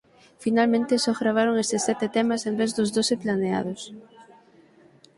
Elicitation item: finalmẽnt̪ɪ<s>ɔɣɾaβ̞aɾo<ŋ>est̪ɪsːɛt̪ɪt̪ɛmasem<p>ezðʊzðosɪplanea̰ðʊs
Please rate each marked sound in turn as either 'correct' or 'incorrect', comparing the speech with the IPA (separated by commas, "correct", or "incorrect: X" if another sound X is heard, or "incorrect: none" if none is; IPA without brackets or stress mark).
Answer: correct, correct, incorrect: b